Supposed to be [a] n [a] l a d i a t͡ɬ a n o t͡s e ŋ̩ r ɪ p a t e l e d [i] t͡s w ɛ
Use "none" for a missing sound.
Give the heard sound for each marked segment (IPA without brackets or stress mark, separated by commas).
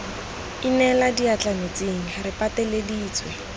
i, ɛ, iː